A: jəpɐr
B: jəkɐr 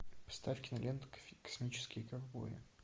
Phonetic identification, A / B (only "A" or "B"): B